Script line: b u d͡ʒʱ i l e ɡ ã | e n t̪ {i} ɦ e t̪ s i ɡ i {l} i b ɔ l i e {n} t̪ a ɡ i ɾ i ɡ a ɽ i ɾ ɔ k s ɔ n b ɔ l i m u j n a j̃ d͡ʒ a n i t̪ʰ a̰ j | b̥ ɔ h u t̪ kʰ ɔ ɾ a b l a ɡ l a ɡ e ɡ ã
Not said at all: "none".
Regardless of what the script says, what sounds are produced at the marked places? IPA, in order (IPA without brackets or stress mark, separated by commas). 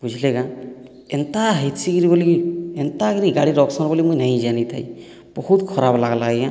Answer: a, ɾ, n